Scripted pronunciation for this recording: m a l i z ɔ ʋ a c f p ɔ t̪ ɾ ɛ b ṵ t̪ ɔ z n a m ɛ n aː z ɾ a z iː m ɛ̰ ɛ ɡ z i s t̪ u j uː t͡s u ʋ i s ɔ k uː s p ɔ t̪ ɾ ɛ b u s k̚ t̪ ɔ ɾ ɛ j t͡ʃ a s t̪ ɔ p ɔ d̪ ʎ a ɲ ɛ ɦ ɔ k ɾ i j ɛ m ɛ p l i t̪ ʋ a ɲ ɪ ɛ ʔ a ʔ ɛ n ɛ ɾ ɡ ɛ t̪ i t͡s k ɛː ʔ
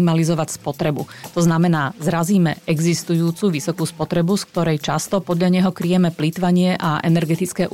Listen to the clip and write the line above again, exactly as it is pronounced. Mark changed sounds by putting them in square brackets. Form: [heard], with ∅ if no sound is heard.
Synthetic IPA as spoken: m a l i z ɔ ʋ a c [s] p ɔ t̪ ɾ ɛ b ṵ t̪ ɔ z n a m ɛ n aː z ɾ a z iː m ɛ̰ ɛ ɡ z i s t̪ u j uː t͡s u ʋ i s ɔ k uː s p ɔ t̪ ɾ ɛ b u s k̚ t̪ ɔ ɾ ɛ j t͡ʃ a s t̪ ɔ p ɔ d̪ ʎ a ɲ ɛ ɦ ɔ k ɾ i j ɛ m ɛ p l i t̪ ʋ a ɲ ɪ ɛ ʔ a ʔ ɛ n ɛ ɾ ɡ ɛ t̪ i t͡s k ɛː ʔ